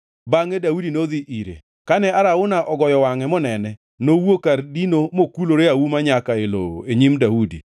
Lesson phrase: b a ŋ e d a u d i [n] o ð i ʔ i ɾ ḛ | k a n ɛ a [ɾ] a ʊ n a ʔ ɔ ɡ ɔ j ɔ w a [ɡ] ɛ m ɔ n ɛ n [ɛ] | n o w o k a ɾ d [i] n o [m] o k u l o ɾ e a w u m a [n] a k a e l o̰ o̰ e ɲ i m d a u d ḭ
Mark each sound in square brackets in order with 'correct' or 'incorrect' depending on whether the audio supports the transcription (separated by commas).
correct, correct, incorrect, correct, correct, correct, incorrect